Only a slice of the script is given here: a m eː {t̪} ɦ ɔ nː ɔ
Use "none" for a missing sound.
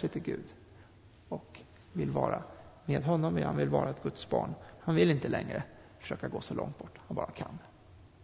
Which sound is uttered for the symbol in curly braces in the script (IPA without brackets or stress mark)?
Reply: d̪